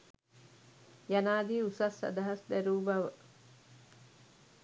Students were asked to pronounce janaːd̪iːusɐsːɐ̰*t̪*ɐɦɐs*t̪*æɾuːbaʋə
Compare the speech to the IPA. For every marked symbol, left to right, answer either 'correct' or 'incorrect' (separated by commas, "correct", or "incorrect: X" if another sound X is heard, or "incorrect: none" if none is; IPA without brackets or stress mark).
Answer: incorrect: d̪, incorrect: d̪